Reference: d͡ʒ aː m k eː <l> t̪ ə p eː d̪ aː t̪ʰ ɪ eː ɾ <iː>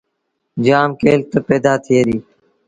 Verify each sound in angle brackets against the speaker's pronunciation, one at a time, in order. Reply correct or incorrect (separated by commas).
correct, correct